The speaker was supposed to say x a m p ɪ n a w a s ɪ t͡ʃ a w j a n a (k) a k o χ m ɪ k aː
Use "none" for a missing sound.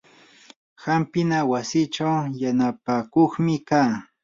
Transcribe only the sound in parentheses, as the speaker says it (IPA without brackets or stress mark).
p